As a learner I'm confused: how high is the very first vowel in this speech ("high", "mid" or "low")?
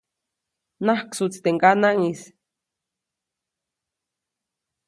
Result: low